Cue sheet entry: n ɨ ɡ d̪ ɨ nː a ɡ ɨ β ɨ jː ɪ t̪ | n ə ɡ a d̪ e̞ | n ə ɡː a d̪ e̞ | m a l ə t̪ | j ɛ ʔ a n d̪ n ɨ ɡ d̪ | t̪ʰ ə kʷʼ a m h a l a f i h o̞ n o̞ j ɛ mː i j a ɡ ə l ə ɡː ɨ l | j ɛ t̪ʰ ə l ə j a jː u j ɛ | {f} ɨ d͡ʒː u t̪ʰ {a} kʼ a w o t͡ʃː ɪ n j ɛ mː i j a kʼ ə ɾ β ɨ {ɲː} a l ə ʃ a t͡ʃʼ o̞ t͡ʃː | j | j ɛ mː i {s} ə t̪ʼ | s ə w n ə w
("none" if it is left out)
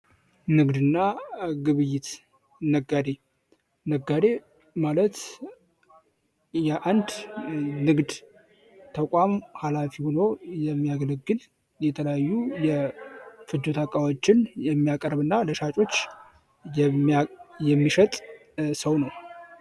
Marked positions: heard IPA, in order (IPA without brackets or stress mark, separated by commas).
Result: f, a, nː, ʃ